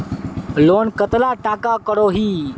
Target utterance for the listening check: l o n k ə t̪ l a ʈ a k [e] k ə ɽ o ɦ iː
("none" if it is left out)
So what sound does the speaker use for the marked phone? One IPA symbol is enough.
a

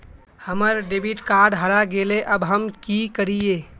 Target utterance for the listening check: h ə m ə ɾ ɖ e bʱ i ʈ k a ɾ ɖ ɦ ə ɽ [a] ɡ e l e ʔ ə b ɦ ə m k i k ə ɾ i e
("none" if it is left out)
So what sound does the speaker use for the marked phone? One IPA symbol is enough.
a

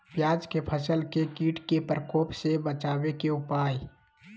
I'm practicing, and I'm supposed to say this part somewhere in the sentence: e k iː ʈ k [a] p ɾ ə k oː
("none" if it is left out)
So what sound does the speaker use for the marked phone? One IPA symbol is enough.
e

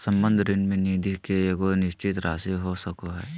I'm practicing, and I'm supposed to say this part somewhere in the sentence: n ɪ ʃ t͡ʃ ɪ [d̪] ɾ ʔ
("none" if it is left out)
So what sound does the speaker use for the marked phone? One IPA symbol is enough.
t̪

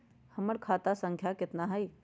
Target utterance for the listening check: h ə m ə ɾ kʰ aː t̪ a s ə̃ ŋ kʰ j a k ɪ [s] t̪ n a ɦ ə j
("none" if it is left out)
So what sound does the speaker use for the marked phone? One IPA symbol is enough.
none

